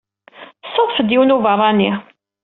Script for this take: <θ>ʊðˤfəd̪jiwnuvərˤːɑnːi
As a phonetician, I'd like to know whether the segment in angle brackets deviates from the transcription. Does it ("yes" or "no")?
yes